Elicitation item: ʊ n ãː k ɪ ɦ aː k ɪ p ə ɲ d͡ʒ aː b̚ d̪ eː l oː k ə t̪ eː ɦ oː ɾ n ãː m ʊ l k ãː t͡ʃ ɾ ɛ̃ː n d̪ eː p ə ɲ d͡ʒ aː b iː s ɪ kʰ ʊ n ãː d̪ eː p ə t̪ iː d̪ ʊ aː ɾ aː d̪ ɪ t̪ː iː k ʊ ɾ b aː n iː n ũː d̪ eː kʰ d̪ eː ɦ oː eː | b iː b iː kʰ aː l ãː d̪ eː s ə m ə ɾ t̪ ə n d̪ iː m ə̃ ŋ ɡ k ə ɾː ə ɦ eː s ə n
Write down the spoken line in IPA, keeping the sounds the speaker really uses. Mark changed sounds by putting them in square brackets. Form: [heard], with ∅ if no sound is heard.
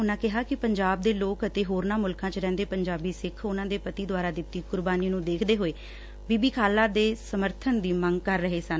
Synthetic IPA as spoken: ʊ n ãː k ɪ ɦ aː k ɪ p ə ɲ d͡ʒ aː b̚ d̪ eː l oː k ə t̪ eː ɦ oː ɾ n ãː m ʊ l k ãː t͡ʃ ɾ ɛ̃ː n d̪ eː p ə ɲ d͡ʒ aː b iː s ɪ kʰ ʊ n ãː d̪ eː p ə t̪ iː d̪ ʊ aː ɾ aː d̪ ɪ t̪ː iː k ʊ ɾ b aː n iː n ũː d̪ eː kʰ d̪ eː ɦ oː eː | b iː b iː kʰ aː l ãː d̪ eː s ə m ə ɾ [t̪ʰ] ə n d̪ iː m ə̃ ŋ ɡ k ə ɾː ə ɦ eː s ə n